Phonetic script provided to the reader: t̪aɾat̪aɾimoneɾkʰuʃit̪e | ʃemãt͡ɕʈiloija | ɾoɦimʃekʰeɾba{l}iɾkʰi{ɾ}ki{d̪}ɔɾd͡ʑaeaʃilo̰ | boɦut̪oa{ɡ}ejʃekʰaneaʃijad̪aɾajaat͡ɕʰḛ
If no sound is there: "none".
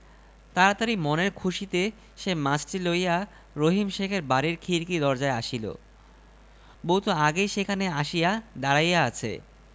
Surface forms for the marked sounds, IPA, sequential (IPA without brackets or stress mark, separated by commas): ɾ, ɾ, d̪, ɡ